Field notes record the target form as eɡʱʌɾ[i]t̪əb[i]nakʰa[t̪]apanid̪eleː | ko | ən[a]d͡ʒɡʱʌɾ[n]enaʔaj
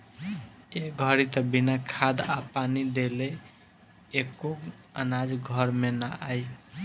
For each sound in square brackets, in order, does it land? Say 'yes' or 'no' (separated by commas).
yes, yes, no, yes, no